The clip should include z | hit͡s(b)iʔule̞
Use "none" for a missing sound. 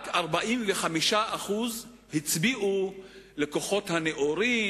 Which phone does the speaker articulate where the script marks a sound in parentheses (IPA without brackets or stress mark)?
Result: b